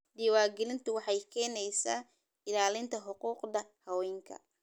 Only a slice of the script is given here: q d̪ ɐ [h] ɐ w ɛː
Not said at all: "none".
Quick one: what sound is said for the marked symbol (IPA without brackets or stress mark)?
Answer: h